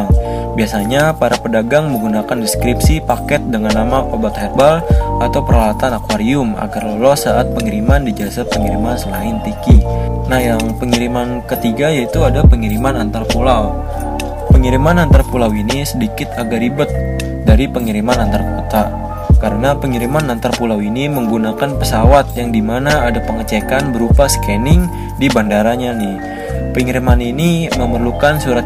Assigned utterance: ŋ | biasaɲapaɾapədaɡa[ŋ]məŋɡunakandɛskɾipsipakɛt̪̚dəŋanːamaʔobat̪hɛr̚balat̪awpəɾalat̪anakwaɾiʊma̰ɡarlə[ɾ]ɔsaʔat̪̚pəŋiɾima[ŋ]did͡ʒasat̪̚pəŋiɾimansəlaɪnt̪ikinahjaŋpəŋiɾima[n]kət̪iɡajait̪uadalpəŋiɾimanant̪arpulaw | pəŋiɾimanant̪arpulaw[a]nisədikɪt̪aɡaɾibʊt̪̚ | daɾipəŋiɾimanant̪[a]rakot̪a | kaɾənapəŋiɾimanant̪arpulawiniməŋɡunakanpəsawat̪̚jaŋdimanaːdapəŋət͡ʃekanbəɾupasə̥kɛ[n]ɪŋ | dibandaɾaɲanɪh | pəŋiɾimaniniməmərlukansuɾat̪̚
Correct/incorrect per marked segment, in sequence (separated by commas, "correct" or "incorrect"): correct, incorrect, incorrect, correct, incorrect, correct, correct